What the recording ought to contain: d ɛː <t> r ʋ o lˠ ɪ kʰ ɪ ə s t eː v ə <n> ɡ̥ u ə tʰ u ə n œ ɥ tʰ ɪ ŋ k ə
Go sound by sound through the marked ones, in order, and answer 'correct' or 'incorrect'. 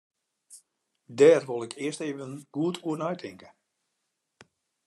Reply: incorrect, correct

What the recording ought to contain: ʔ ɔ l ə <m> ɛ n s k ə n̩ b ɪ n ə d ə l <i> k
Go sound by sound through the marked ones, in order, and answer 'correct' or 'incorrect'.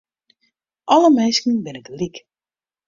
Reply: correct, correct

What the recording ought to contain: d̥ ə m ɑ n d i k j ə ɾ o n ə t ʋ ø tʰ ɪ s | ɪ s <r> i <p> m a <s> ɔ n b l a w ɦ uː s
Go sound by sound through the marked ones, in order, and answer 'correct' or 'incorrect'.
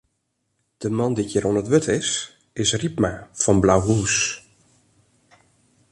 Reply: correct, correct, incorrect

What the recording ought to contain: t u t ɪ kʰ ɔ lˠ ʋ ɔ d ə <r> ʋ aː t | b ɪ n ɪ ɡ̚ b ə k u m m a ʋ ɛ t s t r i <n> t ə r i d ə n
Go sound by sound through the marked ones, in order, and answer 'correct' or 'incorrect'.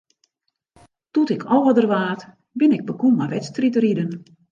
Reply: correct, incorrect

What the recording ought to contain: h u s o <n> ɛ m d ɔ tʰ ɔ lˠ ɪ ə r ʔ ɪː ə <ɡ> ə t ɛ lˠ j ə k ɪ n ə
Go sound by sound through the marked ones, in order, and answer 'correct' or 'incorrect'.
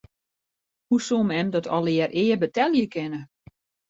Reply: incorrect, incorrect

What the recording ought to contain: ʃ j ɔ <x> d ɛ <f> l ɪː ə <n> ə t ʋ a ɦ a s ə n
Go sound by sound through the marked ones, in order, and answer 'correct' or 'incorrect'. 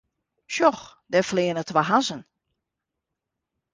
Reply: correct, correct, correct

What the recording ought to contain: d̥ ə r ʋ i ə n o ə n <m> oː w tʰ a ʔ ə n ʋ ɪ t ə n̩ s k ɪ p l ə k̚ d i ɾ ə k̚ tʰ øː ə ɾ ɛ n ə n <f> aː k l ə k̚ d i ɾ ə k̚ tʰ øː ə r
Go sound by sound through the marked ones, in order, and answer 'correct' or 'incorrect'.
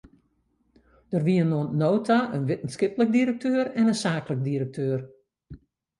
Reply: incorrect, incorrect

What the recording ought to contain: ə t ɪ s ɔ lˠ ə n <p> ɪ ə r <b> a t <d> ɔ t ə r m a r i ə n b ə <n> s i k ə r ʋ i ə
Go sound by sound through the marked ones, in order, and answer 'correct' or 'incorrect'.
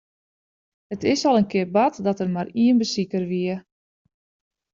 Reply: incorrect, correct, correct, incorrect

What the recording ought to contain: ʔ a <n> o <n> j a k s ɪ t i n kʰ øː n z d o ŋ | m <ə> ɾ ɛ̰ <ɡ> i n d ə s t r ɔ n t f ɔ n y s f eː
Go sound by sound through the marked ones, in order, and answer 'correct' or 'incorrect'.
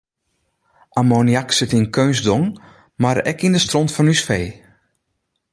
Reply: incorrect, correct, incorrect, incorrect

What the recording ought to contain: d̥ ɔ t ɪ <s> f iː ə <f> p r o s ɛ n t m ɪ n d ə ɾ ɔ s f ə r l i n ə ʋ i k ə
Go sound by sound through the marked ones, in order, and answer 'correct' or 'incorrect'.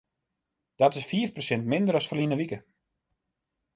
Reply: correct, correct

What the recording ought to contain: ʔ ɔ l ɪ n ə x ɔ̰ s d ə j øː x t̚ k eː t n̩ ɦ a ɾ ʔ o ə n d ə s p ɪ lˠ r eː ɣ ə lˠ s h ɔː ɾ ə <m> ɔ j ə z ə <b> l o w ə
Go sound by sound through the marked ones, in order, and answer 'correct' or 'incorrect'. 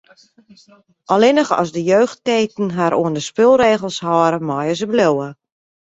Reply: correct, correct

